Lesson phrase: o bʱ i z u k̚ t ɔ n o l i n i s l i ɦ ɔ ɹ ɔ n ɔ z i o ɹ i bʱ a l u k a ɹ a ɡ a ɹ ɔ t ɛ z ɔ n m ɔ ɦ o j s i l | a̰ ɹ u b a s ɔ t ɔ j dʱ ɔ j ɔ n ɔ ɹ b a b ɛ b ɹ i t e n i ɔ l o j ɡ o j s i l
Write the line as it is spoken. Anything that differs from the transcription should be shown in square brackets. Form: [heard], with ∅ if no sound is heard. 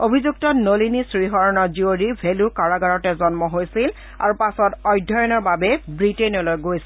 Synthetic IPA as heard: o bʱ i z u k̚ t ɔ n o l i n i s [ɹ] i ɦ ɔ ɹ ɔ n ɔ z i o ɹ i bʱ [e] l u k a ɹ a ɡ a ɹ ɔ t ɛ z ɔ n m ɔ ɦ o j s i l | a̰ ɹ u [p] a s ɔ t ɔ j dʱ ɔ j ɔ n ɔ ɹ b a b ɛ b ɹ i t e n i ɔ l o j ɡ o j s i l